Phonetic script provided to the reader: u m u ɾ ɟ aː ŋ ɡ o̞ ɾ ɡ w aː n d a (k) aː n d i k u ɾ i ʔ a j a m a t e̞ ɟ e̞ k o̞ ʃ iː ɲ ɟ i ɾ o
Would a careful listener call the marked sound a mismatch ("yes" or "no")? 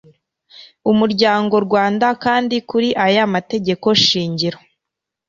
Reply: no